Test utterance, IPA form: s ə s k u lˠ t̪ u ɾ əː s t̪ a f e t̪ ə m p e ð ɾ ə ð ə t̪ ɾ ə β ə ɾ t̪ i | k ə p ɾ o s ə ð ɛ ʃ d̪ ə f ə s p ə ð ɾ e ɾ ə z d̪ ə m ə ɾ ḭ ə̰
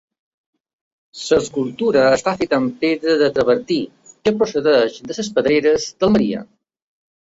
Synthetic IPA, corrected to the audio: s ə s k u lˠ t̪ u ɾ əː s t̪ a f e t̪ ə m p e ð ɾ ə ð ə t̪ ɾ ə β ə ɾ t̪ i | k ə p ɾ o s ə ð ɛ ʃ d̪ ə s ə s p ə ð ɾ e ɾ ə z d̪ ə m ə ɾ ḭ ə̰